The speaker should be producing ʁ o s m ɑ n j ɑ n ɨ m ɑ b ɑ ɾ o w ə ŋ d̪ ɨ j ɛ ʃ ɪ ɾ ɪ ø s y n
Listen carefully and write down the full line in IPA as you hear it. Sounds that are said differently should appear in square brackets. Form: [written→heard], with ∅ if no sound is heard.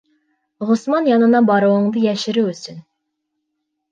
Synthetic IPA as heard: ʁ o s m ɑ n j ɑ n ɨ [m→n] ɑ b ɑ ɾ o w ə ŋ d̪ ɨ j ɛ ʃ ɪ ɾ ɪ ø s y n

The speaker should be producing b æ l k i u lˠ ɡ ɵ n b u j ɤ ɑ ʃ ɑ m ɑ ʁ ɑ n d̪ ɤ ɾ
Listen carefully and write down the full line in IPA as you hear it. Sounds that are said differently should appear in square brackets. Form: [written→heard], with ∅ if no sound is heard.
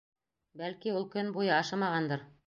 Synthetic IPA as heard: b æ l k i u lˠ [ɡ→k] ɵ n b u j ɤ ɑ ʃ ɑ m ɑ ʁ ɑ n d̪ ɤ ɾ

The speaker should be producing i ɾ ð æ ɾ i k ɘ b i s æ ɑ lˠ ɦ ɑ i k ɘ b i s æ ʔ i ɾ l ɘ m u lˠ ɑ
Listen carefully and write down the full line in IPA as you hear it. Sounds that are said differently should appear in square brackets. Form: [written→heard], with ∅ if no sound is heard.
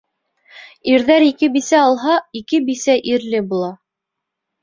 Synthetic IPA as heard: i ɾ ð æ ɾ i k ɘ b i s æ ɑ lˠ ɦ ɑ i k ɘ b i s æ ʔ i ɾ l ɘ [m→b] u lˠ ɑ

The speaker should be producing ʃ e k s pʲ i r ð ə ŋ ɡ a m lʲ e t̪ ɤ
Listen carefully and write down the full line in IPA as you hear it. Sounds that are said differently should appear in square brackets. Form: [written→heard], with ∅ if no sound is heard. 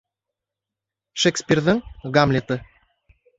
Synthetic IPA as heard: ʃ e k s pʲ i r ð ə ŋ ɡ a m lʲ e t̪ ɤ

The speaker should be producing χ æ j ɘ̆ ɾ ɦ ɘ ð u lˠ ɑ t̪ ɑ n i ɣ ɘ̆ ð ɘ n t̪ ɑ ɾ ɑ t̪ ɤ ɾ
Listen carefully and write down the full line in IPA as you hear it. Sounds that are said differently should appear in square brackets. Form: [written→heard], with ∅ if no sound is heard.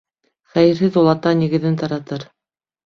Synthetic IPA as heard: χ æ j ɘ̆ ɾ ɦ ɘ ð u lˠ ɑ t̪ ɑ n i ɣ ɘ̆ ð ɘ n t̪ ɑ ɾ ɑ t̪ ɤ ɾ

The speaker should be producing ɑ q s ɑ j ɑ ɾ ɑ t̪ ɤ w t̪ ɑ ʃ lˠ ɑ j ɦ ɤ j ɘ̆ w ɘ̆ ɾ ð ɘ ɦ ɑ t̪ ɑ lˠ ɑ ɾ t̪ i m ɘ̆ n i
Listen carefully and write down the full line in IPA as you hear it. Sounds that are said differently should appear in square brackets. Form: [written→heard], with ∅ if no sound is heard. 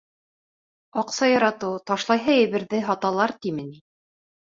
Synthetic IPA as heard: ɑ q s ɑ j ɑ ɾ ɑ t̪ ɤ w t̪ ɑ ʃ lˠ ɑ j ɦ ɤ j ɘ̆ [w→β] ɘ̆ ɾ ð ɘ ɦ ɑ t̪ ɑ lˠ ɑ ɾ t̪ i m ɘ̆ n i

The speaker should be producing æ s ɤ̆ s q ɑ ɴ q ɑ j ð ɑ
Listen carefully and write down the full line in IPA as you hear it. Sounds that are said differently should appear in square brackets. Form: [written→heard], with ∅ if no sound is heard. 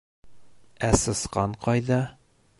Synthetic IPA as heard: æ s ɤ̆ s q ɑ ɴ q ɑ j ð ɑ

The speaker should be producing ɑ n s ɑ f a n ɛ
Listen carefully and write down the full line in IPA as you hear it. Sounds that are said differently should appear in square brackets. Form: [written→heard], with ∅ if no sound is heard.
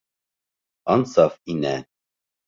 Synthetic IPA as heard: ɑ n s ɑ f [a→i] n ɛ

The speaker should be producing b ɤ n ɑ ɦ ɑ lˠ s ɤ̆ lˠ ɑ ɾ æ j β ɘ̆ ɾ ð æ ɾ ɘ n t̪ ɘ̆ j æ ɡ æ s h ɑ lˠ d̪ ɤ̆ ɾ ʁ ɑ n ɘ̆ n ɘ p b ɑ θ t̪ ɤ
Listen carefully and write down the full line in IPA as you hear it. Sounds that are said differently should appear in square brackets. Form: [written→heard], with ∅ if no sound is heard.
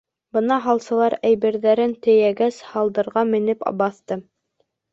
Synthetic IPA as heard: b ɤ n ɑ ɦ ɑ lˠ s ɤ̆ lˠ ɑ ɾ æ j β ɘ̆ ɾ ð æ ɾ ɘ n t̪ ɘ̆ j æ ɡ æ s h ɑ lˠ d̪ ɤ̆ ɾ ʁ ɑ [n→m] ɘ̆ n ɘ p b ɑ θ t̪ ɤ

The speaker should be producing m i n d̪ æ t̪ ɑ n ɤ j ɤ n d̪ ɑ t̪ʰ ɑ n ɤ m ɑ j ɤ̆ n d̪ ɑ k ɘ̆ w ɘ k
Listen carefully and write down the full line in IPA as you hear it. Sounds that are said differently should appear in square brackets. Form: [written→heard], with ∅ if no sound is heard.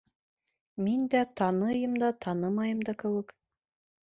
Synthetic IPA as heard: m i n d̪ æ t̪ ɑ n ɤ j ɤ [n→m] d̪ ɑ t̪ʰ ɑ n ɤ m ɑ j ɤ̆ [n→m] d̪ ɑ k ɘ̆ w ɘ k

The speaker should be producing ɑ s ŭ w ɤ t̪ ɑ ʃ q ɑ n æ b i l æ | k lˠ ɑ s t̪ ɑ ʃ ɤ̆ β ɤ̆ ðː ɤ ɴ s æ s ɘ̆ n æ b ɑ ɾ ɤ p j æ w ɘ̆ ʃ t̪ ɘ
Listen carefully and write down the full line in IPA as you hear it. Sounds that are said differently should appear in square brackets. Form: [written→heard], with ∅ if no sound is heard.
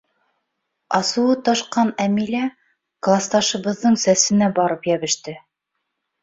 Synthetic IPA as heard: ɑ s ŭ w ɤ t̪ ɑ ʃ q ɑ n æ [b→m] i l æ | k lˠ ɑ s t̪ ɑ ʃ ɤ̆ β ɤ̆ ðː ɤ ɴ s æ s ɘ̆ n æ b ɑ ɾ ɤ p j æ [w→β] ɘ̆ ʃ t̪ ɘ

